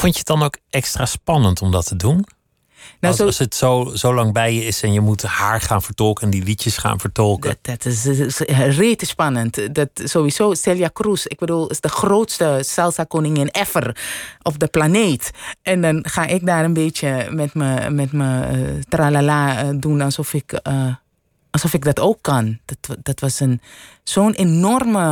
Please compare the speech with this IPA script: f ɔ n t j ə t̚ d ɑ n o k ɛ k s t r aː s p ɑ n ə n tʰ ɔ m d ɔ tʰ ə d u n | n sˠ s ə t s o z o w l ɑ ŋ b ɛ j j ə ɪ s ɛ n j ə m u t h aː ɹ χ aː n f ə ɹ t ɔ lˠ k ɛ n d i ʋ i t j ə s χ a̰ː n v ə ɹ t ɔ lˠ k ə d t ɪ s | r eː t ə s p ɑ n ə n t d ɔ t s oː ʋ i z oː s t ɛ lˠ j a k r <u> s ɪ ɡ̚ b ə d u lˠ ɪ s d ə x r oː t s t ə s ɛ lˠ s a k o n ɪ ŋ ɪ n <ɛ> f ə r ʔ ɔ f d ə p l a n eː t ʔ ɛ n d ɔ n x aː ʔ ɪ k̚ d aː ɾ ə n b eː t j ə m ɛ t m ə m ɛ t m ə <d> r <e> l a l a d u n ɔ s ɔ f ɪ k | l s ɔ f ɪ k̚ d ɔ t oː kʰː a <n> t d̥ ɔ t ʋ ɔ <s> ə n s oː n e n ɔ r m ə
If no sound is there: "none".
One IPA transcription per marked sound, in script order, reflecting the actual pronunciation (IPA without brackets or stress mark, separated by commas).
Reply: u, ɛ, t, a, n, s